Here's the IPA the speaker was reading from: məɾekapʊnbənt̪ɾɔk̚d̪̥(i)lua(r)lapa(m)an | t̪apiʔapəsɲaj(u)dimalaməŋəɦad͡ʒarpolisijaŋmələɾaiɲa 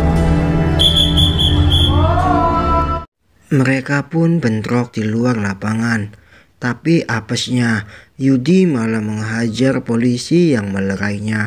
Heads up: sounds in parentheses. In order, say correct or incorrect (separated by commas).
correct, correct, incorrect, correct